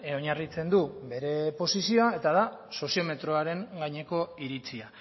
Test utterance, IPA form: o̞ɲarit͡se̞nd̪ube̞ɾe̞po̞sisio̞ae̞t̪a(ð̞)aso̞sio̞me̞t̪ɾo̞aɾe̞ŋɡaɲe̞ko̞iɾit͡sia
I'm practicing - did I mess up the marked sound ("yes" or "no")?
no